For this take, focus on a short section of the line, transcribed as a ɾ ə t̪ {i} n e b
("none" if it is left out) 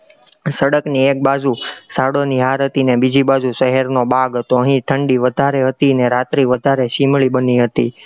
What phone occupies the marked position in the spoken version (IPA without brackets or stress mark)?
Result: i